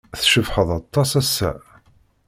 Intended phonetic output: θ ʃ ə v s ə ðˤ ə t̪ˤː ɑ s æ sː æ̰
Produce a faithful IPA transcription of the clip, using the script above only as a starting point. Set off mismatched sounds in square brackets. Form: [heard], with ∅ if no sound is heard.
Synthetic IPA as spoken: θ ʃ ə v [ħ] ə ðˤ [ɑ] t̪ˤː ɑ s æ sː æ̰